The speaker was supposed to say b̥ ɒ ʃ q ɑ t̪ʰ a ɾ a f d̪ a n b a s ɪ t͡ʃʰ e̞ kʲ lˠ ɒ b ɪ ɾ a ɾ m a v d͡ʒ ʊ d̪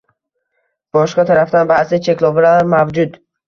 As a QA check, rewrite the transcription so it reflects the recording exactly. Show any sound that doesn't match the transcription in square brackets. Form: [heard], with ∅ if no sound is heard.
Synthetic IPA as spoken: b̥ ɒ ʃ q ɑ t̪ʰ a ɾ a f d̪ a n b a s ɪ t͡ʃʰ e̞ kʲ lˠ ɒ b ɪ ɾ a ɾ m a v d͡ʒ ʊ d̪